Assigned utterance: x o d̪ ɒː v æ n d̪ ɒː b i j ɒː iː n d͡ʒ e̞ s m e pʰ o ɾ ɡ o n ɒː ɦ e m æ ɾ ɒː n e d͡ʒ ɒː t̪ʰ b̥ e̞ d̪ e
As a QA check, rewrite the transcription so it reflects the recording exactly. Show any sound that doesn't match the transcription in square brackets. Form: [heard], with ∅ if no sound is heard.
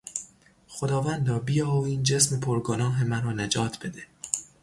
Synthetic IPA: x o d̪ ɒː v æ n d̪ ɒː b i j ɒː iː n d͡ʒ e̞ s m e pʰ o ɾ ɡ o n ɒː ɦ e m æ ɾ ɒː n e d͡ʒ ɒː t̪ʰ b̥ e̞ d̪ e

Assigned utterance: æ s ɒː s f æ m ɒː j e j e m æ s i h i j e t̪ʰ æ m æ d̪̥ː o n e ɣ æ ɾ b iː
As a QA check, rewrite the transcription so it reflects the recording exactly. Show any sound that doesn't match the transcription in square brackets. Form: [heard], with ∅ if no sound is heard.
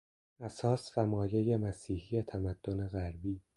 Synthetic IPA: æ s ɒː s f æ m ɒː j e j e m æ s [iː] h i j e t̪ʰ æ m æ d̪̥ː o n e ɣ æ ɾ b iː

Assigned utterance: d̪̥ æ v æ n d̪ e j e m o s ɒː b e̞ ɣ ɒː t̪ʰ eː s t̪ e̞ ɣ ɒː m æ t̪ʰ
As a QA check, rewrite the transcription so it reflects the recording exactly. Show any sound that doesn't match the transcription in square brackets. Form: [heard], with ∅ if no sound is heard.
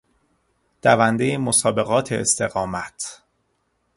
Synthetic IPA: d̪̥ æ v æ n d̪ e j e m o s ɒː b e̞ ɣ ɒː t̪ʰ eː s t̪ e̞ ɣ ɒː m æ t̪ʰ

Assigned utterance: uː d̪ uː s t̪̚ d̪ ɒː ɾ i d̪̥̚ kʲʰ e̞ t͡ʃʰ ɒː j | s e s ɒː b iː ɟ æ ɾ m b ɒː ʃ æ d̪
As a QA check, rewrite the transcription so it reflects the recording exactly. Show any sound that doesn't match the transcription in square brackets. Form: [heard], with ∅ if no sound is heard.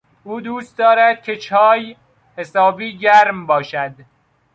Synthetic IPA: uː d̪ uː s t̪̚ d̪ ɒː ɾ [æ] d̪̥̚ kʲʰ e̞ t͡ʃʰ ɒː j | [h] e s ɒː b iː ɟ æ ɾ m b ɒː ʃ æ d̪

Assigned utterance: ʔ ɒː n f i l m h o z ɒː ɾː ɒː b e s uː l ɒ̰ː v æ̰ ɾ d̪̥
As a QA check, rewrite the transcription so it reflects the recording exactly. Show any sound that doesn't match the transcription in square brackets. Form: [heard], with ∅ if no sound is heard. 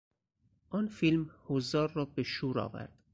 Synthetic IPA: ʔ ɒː n f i l m h o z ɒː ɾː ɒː b e [ʃ] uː [ɾ] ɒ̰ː v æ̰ ɾ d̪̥

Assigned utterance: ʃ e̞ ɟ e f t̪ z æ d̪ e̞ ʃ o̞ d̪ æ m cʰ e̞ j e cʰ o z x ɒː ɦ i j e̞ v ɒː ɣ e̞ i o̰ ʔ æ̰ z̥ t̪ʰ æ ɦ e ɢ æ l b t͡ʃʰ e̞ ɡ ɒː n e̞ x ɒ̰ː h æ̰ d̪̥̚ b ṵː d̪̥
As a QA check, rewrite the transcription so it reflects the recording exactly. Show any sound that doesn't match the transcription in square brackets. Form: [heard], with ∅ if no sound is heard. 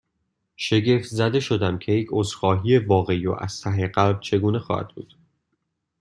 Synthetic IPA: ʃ e̞ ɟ e f t̪ z æ d̪ e̞ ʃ o̞ d̪ æ m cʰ e̞ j e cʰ o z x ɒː ɦ i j e̞ v ɒː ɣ e̞ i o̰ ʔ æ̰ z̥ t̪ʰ æ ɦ e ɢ æ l b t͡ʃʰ e̞ ɡ [uː] n e̞ x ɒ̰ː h æ̰ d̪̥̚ b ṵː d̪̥

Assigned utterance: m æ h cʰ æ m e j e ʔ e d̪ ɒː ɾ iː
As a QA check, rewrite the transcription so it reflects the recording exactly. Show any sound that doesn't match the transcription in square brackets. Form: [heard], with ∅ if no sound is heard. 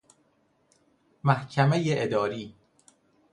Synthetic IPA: m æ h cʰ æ m e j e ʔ e d̪ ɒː ɾ iː

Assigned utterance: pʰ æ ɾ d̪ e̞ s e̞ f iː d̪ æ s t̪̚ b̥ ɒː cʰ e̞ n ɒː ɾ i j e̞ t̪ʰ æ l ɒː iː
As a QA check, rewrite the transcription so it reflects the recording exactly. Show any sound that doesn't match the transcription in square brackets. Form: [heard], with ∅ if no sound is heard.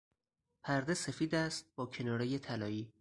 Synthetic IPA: pʰ æ ɾ d̪ e̞ s e̞ f iː d̪ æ s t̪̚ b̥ ɒː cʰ e̞ n ɒː ɾ [e] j e̞ t̪ʰ æ l ɒː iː

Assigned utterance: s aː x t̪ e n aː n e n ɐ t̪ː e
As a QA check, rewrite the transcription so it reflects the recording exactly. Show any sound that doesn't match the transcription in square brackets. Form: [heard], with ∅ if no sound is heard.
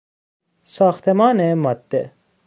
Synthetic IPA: s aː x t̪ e [m] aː n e [m] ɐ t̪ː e

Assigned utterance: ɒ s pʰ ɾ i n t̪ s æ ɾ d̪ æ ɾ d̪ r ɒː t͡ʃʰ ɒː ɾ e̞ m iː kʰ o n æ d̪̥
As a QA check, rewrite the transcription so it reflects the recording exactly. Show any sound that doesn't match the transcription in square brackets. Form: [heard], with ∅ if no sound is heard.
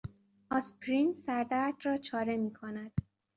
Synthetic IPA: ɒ s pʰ ɾ i n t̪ s æ ɾ d̪ æ ɾ d̪ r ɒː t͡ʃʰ ɒː ɾ e̞ m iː kʰ o n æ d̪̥

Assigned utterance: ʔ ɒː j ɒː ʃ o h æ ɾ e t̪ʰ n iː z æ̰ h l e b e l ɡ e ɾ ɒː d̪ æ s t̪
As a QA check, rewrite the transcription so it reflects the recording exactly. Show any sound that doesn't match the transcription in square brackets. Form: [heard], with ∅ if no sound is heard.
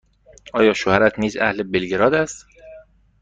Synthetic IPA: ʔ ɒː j ɒː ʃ o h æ ɾ [æ] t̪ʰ n iː z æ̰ h l e b e l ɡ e ɾ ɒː d̪ æ s t̪

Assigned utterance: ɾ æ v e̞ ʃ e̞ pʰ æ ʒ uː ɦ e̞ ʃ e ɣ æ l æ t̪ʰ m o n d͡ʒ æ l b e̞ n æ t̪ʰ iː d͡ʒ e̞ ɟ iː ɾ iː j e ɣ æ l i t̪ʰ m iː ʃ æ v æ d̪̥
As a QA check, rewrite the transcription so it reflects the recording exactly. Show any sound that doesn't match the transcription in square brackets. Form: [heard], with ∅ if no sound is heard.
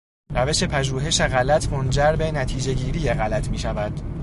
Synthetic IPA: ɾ æ v e̞ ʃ e̞ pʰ æ ʒ uː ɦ e̞ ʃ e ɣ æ l æ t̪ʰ m o n d͡ʒ æ [ɾ] b e̞ n æ t̪ʰ iː d͡ʒ e̞ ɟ iː ɾ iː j e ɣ æ l [æ] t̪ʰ m iː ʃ æ v æ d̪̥

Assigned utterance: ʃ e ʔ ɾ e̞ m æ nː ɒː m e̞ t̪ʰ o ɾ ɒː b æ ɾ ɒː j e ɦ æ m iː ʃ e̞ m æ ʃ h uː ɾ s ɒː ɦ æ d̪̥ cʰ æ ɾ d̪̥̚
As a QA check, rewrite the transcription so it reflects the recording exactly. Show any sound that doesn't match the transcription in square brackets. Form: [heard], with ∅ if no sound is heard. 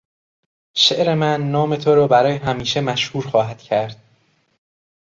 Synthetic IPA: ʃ e ʔ ɾ e̞ m æ nː ɒː m e̞ t̪ʰ o ɾ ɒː b æ ɾ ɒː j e ɦ æ m iː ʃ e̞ m æ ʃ h uː ɾ [x] ɒː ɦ æ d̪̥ cʰ æ ɾ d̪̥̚

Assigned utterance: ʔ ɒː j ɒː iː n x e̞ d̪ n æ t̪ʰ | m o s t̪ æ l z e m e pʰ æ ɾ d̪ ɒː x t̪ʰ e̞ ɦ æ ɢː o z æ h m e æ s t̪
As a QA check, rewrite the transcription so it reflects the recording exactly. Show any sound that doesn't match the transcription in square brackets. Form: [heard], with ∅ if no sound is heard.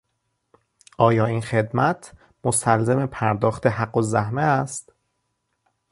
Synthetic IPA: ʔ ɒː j ɒː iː n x e̞ d̪ [m] æ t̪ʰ | m o s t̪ æ l z e m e pʰ æ ɾ d̪ ɒː x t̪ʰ e̞ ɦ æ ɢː o z æ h m e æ s t̪

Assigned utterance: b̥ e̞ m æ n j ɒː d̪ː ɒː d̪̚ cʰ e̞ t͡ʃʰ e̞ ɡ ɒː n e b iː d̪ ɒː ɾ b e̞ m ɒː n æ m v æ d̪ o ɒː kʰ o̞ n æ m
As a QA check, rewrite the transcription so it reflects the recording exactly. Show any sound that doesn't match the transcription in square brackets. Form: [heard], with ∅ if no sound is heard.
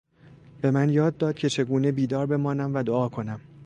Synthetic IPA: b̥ e̞ m æ n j ɒː d̪ː ɒː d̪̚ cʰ e̞ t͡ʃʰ e̞ ɡ [uː] n e b iː d̪ ɒː ɾ b e̞ m ɒː n æ m v æ d̪ o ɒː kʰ o̞ n æ m

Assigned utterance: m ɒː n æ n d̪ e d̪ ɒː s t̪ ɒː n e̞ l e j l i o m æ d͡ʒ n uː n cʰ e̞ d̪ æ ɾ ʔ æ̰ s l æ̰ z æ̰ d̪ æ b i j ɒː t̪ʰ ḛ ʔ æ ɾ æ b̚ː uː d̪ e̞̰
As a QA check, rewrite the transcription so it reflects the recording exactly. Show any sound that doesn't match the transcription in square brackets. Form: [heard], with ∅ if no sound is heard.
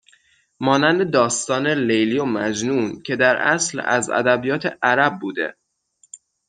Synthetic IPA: m ɒː n æ n d̪ e d̪ ɒː s t̪ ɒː n e̞ l e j l i o m æ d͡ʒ n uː n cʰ e̞ d̪ æ ɾ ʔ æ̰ s l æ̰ z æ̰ d̪ æ b i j ɒː t̪ʰ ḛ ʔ æ ɾ æ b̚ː uː d̪ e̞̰

